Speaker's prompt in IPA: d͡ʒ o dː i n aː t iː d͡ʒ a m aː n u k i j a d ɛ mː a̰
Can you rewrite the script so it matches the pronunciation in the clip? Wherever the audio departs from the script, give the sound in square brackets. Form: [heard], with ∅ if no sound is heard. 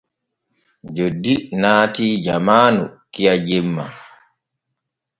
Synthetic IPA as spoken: d͡ʒ o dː i n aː t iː d͡ʒ a m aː n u k i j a [d͡ʒ] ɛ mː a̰